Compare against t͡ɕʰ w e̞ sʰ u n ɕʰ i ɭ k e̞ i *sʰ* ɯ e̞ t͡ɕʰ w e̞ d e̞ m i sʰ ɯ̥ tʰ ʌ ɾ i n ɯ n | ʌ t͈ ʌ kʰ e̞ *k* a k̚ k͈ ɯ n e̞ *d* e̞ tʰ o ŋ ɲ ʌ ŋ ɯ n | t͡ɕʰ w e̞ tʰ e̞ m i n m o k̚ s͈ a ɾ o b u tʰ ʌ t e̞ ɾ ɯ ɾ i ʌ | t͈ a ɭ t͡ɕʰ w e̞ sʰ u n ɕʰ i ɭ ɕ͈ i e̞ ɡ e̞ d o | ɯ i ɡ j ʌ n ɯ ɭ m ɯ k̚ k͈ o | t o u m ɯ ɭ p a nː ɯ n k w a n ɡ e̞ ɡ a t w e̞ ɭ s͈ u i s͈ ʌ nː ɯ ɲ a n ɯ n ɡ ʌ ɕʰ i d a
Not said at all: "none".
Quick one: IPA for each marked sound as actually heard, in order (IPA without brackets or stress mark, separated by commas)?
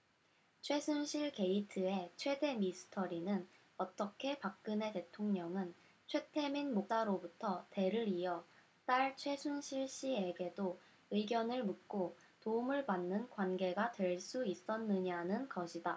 tʰ, p, t